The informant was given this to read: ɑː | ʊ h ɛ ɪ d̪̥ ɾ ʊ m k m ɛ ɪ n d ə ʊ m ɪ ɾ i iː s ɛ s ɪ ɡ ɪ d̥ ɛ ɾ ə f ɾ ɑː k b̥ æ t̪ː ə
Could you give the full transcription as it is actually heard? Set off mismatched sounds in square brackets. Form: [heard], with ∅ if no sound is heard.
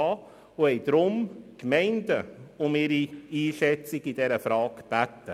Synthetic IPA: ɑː | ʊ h ɛ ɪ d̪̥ ɾ ʊ m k m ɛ ɪ n d ə ʊ m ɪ ɾ i iː [ʃ] ɛ [t͡s] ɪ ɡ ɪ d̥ ɛ ɾ ə f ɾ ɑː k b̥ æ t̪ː ə